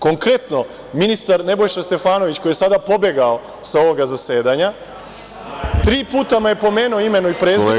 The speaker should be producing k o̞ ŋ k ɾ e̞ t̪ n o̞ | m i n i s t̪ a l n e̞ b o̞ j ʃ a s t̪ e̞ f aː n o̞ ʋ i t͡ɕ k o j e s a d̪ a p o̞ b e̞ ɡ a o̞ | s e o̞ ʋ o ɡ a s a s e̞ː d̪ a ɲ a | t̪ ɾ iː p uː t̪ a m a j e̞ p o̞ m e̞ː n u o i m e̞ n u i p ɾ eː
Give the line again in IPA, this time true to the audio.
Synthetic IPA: k o̞ ŋ k ɾ e̞ t̪ n o̞ | m i n i s t̪ a ɾ n e̞ b o̞ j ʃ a s t̪ e̞ f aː n o̞ ʋ i t͡ɕ k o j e s a d̪ a p o̞ b e̞ ɡ a o̞ | s a o̞ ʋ o ɡ a z a s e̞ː d̪ a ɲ a | t̪ ɾ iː p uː t̪ a m a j e̞ p o̞ m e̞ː n u o i m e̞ n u i p ɾ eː